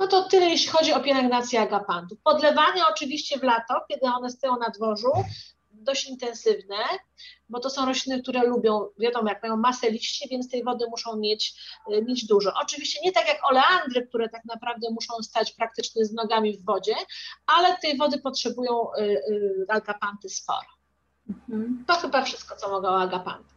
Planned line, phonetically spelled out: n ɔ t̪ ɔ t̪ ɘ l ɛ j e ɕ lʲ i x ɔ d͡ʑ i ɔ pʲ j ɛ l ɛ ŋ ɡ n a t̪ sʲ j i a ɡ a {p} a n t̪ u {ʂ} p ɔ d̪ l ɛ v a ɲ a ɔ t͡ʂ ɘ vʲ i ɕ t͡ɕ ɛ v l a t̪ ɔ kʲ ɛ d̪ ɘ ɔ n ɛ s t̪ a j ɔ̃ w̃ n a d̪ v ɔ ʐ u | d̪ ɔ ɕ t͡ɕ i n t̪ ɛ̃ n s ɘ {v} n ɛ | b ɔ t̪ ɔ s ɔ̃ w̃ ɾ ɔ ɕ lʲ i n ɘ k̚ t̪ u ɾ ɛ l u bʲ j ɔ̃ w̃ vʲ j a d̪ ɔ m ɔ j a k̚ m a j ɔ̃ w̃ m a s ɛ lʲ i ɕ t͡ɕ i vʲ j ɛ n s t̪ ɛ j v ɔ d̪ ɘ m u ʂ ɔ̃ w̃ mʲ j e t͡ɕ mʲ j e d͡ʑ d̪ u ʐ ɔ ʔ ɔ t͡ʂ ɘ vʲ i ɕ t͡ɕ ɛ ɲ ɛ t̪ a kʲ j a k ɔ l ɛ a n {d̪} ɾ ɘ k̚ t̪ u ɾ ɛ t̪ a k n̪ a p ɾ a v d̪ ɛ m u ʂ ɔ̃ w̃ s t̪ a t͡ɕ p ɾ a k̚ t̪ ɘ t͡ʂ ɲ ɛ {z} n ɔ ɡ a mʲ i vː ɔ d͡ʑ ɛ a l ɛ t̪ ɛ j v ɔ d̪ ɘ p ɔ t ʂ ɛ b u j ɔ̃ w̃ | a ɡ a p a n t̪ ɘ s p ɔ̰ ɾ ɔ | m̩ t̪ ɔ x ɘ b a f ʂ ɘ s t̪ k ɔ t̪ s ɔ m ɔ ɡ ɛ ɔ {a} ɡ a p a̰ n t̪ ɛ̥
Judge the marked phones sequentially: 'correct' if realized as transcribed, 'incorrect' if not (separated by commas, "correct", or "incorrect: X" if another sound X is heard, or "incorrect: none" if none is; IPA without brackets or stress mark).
correct, incorrect: f, correct, correct, correct, correct